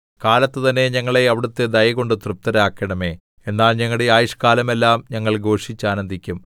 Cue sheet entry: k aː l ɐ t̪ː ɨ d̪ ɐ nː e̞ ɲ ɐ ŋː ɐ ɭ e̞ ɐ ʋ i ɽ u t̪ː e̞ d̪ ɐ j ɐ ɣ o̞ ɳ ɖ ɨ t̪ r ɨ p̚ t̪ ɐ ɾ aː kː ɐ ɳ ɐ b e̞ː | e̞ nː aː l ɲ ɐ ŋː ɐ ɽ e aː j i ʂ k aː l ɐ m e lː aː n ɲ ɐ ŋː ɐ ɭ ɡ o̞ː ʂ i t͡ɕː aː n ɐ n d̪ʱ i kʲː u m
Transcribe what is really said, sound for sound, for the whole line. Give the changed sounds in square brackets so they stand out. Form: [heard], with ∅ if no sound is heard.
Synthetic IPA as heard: k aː l ɐ t̪ː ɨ [t̪] ɐ nː e̞ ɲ ɐ ŋː ɐ ɭ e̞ ɐ ʋ i ɽ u t̪ː e̞ d̪ ɐ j ɐ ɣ o̞ ɳ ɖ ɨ t̪ r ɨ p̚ t̪ ɐ ɾ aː kː ɐ ɳ ɐ [m] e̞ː | e̞ nː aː l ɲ ɐ ŋː ɐ ɽ e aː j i ʂ k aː l ɐ m e lː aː [m] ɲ ɐ ŋː ɐ ɭ ɡ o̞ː ʂ i t͡ɕː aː n ɐ n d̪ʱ i kʲː u m